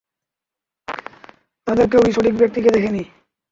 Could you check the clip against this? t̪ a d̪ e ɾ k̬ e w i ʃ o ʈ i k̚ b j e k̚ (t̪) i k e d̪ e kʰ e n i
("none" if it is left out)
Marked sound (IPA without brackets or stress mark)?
t̪